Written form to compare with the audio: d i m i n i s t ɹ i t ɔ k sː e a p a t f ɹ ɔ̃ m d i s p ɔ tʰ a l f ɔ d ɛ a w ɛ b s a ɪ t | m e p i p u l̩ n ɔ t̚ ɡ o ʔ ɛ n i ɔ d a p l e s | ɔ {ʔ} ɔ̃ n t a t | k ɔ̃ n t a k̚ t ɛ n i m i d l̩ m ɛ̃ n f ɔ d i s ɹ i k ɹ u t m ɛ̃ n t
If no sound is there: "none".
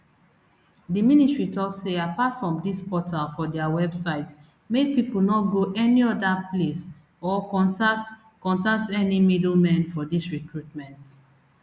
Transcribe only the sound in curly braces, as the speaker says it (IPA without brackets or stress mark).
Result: k